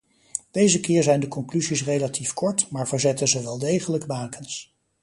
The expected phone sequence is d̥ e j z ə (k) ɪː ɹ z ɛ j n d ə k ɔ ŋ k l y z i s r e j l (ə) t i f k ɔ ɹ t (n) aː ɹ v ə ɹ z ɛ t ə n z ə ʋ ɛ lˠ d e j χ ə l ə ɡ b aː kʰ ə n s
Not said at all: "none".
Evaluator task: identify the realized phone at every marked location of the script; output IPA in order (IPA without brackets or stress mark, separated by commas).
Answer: k, a, m